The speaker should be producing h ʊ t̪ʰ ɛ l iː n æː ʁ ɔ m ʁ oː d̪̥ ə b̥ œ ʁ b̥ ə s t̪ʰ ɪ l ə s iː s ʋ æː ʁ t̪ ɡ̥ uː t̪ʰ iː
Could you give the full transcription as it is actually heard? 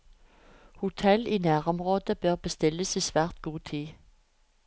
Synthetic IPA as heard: h ʊ t̪ʰ ɛ l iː n æː ʁ ɔ m ʁ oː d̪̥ ə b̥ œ ʁ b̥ ə s t̪ ɪ l ə s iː s ʋ æː ʁ t̪ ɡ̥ uː t̪ʰ iː